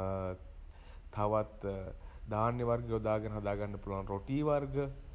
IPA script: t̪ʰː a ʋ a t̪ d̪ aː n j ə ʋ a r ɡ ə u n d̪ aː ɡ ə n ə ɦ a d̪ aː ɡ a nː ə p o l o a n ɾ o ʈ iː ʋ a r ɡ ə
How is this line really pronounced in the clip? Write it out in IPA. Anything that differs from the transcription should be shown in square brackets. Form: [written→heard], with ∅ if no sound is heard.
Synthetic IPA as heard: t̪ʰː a ʋ a t̪ d̪ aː n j ə ʋ a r ɡ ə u [n→∅] d̪ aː ɡ ə n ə ɦ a d̪ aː ɡ a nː ə p [o→u] l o a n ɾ o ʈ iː ʋ a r ɡ ə